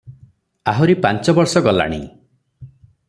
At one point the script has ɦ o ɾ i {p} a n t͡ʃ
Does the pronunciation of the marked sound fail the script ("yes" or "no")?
no